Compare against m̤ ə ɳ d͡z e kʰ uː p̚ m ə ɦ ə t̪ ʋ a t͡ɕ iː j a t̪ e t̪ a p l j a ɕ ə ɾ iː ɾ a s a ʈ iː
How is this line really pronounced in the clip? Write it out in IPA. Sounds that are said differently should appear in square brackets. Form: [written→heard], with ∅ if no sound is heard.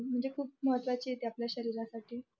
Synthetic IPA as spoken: m̤ ə ɳ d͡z e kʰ uː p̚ m ə ɦ ə t̪ ʋ a t͡ɕ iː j [a→e] t̪ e [t̪→∅] a p l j a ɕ ə ɾ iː ɾ a s a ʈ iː